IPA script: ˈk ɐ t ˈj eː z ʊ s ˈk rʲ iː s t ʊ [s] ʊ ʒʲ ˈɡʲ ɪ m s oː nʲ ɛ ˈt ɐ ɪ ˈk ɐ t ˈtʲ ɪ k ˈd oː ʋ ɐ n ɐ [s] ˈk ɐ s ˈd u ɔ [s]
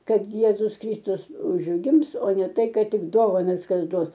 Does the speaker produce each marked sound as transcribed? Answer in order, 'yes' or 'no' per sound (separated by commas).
yes, yes, yes